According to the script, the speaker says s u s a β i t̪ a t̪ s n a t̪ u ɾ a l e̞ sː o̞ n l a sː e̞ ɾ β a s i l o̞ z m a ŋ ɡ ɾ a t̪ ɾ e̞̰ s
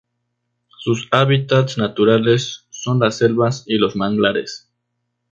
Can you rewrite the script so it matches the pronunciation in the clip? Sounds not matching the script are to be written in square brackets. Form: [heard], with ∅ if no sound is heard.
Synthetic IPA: s u s a β i t̪ a t̪ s n a t̪ u ɾ a l e̞ sː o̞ n l a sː e̞ [l] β a s i l o̞ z m a ŋ ɡ [l] a [∅] ɾ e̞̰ s